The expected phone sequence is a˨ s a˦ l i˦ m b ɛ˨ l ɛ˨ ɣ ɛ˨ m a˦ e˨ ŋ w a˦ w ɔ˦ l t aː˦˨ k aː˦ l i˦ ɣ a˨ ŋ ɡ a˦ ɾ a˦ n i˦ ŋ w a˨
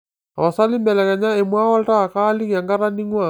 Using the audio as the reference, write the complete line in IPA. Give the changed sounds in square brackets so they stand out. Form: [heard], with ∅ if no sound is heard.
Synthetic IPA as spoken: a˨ s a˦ l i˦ m b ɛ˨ l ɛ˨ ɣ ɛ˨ [ɲ] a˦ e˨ [m] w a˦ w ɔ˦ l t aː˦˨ k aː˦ l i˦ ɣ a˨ ŋ ɡ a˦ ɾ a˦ n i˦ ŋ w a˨